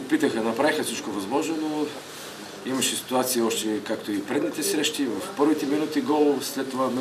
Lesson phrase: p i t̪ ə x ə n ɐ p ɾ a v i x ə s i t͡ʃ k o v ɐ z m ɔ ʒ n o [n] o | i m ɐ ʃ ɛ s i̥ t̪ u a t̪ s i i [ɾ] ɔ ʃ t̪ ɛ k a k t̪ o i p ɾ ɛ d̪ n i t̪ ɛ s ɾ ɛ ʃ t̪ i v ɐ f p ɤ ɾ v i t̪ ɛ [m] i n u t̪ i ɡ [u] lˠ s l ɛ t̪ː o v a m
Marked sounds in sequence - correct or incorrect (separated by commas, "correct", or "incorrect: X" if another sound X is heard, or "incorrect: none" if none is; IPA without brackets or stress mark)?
correct, incorrect: none, correct, incorrect: ɔ